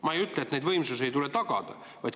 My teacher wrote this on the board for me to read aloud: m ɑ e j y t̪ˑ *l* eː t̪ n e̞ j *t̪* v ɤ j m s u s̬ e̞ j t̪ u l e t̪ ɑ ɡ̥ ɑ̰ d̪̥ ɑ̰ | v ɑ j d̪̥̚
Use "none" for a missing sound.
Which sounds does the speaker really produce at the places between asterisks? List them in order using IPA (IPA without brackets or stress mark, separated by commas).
l, d̪